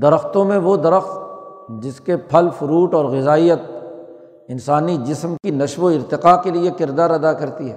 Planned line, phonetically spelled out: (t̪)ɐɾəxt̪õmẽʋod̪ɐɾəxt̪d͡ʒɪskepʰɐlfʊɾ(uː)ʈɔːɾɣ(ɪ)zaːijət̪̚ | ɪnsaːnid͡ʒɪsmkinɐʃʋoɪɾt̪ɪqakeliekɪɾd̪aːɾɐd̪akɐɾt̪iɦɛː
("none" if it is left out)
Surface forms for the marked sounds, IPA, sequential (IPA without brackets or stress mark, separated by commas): d̪, uː, ɪ